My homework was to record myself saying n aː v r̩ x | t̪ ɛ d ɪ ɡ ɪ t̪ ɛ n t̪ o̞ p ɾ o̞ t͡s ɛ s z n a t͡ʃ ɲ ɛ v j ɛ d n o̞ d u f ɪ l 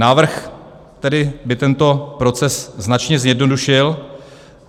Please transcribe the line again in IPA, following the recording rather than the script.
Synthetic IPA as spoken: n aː v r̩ x | t̪ ɛ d ɪ b ɪ t̪ ɛ n t̪ o̞ p ɾ o̞ t͡s ɛ s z n a t͡ʃ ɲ ɛ z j ɛ d n o̞ d u ʃ ɪ l